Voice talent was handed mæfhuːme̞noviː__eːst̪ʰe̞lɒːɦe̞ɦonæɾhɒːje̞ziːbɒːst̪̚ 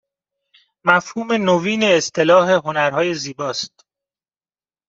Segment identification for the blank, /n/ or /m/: n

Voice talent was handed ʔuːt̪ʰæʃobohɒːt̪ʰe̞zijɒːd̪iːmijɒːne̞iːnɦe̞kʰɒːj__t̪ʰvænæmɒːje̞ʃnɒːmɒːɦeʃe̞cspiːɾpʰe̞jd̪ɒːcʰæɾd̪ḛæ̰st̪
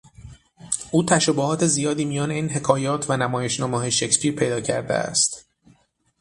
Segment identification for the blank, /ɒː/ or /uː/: ɒː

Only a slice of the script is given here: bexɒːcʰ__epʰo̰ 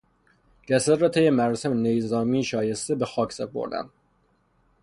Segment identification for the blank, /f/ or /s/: s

